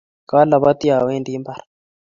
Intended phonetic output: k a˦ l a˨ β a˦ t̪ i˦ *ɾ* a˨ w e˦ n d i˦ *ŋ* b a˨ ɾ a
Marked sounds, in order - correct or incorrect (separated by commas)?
incorrect, incorrect